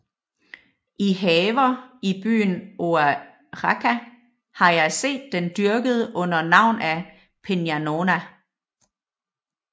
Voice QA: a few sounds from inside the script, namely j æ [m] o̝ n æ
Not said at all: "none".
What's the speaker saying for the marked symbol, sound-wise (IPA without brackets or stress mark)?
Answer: n